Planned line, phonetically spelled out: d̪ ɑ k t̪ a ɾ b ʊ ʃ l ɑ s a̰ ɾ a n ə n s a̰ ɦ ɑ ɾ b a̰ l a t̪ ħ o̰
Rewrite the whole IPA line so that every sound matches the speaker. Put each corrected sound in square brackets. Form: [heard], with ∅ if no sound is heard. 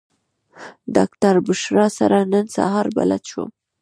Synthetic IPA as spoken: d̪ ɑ k t̪ a ɾ b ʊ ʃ [ɾ] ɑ s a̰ ɾ a n ə n s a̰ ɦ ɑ ɾ b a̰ l a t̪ [ʃ] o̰